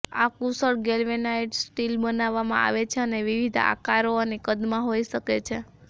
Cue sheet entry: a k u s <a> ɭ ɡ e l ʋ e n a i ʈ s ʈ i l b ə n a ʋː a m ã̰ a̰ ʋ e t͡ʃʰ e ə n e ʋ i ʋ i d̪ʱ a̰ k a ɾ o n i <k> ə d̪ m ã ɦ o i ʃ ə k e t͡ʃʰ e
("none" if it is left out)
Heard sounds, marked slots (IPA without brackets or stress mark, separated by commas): ə, k